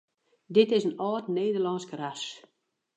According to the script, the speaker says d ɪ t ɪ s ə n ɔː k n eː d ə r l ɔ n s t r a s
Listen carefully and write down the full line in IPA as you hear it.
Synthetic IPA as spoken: d ɪ t ɪ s ə n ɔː t n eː d ə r l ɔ n s k r a s